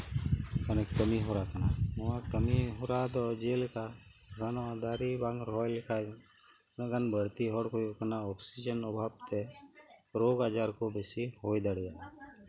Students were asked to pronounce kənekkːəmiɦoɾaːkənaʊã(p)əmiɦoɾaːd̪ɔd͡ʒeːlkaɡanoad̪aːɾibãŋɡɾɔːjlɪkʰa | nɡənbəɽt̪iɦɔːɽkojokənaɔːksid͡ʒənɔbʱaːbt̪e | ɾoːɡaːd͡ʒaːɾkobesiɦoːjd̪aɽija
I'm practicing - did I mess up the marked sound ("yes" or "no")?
yes